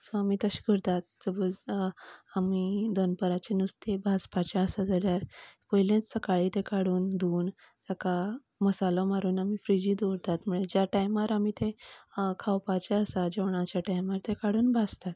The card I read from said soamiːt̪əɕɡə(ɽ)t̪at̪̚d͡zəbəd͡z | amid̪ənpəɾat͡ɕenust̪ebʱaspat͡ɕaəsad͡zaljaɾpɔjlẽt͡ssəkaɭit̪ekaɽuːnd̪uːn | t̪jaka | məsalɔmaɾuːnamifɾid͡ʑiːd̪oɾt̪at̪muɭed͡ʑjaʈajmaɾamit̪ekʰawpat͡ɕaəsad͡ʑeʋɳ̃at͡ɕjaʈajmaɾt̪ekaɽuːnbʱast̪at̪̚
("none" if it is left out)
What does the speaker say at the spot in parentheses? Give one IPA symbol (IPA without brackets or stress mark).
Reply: ɾ